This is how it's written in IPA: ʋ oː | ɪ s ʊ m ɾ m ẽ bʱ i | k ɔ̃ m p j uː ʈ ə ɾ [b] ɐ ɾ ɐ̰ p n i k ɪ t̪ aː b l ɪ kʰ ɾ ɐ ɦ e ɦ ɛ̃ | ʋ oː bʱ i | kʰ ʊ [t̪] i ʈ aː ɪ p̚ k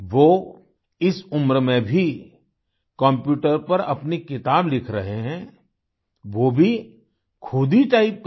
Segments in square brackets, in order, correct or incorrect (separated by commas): incorrect, incorrect